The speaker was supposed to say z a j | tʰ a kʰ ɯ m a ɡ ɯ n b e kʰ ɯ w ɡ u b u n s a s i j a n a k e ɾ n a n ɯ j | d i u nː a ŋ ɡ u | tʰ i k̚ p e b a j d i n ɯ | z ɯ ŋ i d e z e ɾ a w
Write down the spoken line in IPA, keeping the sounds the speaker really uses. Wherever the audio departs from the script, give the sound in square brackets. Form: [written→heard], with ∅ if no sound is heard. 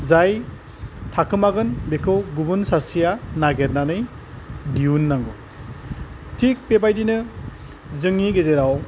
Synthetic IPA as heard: z a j | tʰ a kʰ ɯ m a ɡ ɯ n b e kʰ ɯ w ɡ u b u n s a s i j a n a [k→ɡ] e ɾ n a n ɯ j | d i u nː a ŋ ɡ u | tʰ i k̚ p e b a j d i n ɯ | z ɯ ŋ i [d→ɡ] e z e ɾ a w